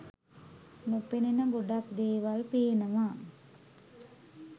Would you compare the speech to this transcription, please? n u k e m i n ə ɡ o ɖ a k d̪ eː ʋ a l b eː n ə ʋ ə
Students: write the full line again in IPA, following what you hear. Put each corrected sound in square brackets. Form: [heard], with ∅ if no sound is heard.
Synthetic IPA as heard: n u [p] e [n] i n ə ɡ o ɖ a k d̪ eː ʋ a l [p] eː n ə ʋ [a]